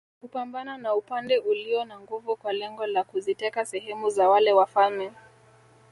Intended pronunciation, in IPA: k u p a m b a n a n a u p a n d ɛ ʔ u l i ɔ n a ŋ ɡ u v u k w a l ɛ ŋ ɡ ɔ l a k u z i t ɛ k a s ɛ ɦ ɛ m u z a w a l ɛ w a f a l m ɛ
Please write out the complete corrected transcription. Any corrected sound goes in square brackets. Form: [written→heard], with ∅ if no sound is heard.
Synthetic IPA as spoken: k u p a m b a n a n a u p a n d ɛ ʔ u l i ɔ n a ŋ ɡ u v u k w a l ɛ ŋ ɡ ɔ l a k u z i t ɛ k a s ɛ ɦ ɛ m u z a w a l ɛ w a f a l m ɛ